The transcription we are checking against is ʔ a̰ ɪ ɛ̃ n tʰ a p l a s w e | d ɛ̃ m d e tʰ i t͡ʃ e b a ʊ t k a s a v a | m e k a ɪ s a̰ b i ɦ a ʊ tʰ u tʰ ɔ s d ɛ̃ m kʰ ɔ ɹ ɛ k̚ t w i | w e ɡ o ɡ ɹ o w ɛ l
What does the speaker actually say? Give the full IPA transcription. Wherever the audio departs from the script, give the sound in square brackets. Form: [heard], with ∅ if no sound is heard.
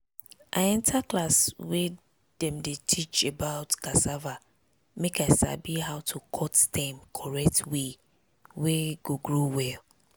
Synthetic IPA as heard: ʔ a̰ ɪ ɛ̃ n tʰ a [k] l a s w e | d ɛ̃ m d e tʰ i t͡ʃ e b a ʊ t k a s a v a | m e k a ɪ s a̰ b i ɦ a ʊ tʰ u [kʰ] ɔ [t] d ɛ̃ m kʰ ɔ ɹ ɛ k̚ t w [e] | w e ɡ o ɡ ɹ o w ɛ l